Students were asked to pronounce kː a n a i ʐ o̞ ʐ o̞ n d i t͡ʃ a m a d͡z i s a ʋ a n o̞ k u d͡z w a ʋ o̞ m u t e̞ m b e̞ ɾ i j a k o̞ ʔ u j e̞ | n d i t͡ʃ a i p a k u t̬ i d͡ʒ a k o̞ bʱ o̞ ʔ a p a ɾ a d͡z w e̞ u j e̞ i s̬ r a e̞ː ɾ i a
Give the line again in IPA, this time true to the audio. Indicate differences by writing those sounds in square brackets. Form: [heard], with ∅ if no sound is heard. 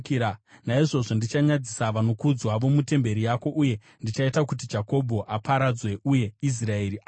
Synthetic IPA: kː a n a i ʐ o̞ ʐ o̞ n d i t͡ʃ a [ɲ] a d͡z i s a ʋ a n o̞ k u d͡z w a ʋ o̞ m u t e̞ m b e̞ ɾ i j a k o̞ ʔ u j e̞ | n d i t͡ʃ a i [t] a k u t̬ i d͡ʒ a k o̞ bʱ o̞ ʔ a p a ɾ a d͡z w e̞ u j e̞ i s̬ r a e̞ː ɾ i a